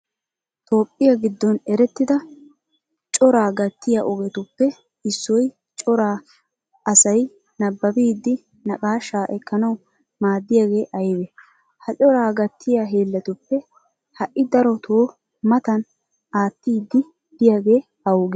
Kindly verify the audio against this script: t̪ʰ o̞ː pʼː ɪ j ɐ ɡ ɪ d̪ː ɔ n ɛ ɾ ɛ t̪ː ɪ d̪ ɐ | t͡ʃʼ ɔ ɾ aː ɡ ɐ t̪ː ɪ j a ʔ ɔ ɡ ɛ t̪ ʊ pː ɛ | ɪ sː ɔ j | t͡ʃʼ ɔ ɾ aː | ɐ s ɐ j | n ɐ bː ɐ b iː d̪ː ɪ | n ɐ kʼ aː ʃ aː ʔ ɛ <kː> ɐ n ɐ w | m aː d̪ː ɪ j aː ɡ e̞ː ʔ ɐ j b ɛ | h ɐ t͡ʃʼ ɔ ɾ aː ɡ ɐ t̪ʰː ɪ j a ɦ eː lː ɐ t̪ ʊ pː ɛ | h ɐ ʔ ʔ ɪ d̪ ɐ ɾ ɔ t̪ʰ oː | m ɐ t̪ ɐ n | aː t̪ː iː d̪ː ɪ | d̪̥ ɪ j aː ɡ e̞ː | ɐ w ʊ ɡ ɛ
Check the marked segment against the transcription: correct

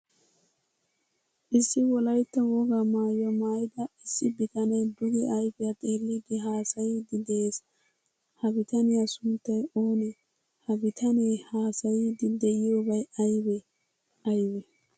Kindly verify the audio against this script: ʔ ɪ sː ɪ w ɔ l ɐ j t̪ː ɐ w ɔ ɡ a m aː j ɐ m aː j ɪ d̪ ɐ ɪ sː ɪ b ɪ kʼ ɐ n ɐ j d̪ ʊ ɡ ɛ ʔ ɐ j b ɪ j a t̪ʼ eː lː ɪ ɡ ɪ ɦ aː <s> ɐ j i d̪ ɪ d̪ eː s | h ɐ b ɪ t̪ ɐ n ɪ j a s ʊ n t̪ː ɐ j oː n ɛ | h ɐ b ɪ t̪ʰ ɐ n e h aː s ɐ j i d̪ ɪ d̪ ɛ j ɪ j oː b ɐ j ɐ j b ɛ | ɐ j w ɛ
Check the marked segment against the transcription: correct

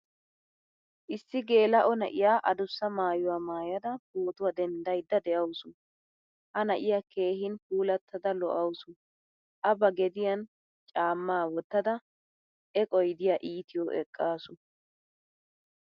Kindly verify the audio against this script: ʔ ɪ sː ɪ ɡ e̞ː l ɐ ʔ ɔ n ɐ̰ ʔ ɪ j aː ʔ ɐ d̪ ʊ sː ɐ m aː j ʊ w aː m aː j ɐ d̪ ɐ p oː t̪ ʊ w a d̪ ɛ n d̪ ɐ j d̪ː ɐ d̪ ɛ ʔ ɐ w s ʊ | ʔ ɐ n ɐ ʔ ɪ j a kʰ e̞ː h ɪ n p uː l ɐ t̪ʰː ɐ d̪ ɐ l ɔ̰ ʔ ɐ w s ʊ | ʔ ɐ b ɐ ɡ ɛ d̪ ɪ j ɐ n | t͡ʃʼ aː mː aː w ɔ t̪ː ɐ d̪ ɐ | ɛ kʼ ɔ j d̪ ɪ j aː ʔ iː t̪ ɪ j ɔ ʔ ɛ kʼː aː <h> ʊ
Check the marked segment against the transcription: incorrect: s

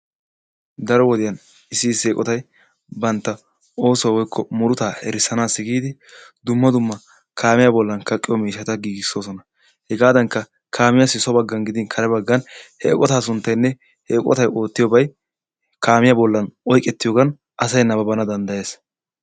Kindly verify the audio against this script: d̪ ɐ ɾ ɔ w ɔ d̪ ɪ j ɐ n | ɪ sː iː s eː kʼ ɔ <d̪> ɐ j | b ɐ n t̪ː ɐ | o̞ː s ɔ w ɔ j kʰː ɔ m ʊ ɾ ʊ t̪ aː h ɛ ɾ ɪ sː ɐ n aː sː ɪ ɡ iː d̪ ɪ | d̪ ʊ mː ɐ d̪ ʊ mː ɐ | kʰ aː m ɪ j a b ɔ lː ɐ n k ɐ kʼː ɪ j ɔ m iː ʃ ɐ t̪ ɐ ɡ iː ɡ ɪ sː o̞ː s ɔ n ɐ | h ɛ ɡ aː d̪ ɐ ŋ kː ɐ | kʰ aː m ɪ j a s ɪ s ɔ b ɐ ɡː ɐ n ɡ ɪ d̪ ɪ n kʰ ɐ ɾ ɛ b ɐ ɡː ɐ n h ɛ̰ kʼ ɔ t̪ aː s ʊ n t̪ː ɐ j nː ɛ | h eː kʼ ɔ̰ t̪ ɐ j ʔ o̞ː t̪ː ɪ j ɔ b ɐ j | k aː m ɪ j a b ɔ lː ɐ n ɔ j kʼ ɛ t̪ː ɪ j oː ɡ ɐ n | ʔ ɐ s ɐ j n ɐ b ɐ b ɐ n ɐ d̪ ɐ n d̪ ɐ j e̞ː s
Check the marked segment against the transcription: incorrect: t̪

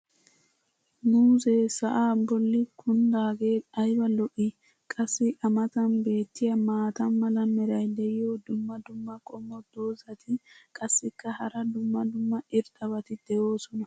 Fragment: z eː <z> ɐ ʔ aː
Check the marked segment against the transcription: incorrect: s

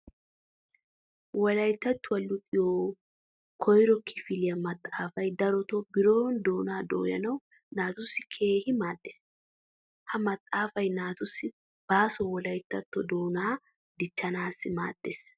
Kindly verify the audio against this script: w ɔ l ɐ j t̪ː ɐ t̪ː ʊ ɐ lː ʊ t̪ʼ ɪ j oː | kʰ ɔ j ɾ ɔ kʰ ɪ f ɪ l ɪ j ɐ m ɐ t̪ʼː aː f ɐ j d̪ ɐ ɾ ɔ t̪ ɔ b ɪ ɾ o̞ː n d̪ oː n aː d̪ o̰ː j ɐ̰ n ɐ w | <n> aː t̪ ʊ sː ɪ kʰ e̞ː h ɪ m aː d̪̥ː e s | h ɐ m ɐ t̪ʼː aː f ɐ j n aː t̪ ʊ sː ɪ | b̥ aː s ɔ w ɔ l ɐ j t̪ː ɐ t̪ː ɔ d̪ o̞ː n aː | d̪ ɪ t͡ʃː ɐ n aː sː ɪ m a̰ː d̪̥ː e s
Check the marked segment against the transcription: correct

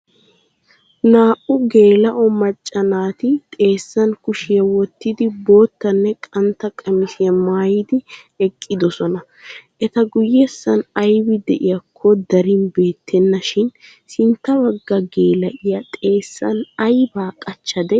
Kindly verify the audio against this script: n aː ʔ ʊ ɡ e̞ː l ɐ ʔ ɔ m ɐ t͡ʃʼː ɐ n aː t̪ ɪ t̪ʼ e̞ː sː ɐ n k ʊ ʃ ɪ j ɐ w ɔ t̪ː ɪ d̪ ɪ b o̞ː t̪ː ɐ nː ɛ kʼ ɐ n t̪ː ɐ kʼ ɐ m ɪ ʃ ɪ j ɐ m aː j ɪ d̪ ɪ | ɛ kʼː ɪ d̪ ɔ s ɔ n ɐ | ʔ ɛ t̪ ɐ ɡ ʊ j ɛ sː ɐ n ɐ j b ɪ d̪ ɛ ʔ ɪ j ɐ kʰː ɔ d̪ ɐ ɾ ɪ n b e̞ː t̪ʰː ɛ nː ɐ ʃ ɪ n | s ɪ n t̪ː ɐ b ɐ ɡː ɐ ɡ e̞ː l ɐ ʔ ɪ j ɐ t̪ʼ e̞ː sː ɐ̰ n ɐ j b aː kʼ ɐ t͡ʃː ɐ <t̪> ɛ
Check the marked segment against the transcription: incorrect: d̪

